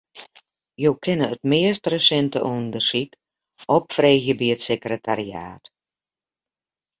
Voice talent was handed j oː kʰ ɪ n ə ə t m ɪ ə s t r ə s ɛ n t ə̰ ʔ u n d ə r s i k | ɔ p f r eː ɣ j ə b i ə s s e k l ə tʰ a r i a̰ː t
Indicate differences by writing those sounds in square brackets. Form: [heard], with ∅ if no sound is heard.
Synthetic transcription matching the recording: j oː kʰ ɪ n ə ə t m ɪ ə s t r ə s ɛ n t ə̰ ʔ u n d ə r s i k | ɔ p f r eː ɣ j ə b i ə [t] s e k [r] ə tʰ a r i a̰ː t